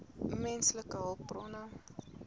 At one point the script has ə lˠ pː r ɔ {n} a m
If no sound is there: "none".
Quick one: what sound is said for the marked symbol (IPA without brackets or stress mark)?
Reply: n